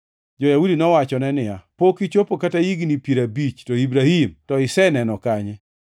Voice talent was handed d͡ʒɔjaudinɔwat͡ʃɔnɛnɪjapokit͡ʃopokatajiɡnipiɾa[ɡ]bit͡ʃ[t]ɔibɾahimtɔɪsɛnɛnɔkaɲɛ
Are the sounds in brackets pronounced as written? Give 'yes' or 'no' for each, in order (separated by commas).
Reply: no, yes